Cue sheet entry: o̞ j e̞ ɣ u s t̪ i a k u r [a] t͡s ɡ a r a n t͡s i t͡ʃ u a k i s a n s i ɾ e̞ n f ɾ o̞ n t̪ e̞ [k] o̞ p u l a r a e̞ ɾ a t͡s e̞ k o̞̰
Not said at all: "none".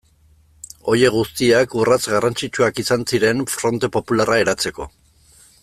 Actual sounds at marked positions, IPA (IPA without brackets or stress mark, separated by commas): a, p